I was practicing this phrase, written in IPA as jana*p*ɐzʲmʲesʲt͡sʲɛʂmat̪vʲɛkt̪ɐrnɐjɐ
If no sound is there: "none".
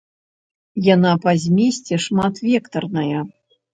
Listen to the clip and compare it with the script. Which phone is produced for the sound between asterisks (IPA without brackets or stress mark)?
p